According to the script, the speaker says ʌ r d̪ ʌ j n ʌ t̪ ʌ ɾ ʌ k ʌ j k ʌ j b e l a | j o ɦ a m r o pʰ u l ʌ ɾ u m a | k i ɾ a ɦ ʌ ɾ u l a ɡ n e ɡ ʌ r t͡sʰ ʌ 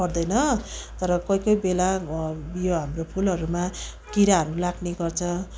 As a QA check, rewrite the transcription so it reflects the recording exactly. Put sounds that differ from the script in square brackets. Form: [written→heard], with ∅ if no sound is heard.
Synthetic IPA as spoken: ʌ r d̪ ʌ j n ʌ t̪ ʌ ɾ ʌ k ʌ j k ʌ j b e l a | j o ɦ a m r o pʰ u l ʌ ɾ u m a | k i ɾ a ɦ ʌ ɾ u l a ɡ n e ɡ ʌ r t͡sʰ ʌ